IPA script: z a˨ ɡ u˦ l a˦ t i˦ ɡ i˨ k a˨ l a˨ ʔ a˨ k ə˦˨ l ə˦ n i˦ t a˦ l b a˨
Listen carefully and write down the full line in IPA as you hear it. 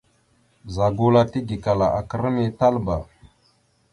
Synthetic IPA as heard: z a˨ ɡ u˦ l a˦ t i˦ ɡ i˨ k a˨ l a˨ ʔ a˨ k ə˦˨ ɾ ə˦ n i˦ t a˦ l b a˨